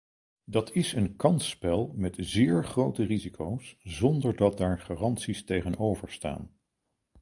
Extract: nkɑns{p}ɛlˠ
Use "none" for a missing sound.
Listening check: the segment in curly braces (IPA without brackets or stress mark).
p